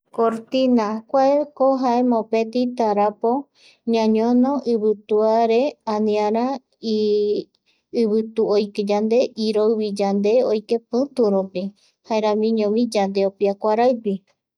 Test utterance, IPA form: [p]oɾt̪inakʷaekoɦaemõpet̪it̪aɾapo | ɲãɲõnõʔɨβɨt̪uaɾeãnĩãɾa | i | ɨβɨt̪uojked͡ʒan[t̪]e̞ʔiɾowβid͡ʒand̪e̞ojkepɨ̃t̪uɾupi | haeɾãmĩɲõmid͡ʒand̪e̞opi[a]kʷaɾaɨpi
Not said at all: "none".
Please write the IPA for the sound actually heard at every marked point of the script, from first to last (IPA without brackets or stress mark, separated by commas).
k, d̪, a